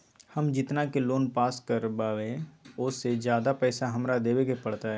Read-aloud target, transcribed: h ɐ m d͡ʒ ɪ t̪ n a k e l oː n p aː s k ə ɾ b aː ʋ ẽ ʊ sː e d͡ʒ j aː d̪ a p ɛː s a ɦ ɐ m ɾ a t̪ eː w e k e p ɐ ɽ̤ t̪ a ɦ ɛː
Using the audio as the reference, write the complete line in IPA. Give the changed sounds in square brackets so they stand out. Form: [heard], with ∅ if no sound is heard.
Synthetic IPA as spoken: h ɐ m d͡ʒ ɪ t̪ n a k e l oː n p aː s k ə ɾ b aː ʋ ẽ ʊ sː e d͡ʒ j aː d̪ a p ɛː s a ɦ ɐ m ɾ a [d̪] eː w e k e p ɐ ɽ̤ t̪ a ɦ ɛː